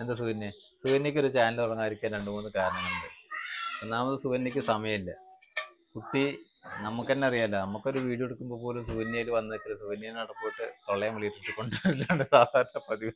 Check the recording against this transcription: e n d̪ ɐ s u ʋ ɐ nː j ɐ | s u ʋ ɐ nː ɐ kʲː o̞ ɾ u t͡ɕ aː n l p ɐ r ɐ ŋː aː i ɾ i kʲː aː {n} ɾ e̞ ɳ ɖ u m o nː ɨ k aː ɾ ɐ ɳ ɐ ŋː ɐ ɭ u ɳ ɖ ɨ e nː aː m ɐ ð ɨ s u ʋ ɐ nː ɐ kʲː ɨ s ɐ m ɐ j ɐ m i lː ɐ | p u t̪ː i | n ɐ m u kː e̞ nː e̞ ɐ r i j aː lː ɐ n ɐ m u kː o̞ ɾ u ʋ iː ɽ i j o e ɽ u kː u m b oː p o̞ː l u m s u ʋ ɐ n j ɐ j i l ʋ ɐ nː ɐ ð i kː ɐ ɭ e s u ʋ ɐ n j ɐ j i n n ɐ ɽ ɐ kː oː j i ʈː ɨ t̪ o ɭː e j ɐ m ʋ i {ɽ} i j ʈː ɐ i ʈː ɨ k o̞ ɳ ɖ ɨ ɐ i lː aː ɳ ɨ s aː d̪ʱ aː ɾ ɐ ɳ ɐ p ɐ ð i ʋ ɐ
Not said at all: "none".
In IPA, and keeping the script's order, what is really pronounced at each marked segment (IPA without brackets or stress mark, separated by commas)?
n, ɭ